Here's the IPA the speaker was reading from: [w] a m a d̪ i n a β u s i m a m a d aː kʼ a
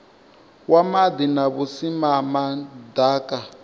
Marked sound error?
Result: no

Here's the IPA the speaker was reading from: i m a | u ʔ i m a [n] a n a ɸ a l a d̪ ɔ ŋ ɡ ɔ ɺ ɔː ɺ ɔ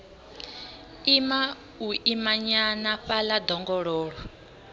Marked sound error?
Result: yes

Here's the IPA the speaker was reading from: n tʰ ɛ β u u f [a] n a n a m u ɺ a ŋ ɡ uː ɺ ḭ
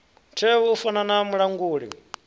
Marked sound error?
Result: no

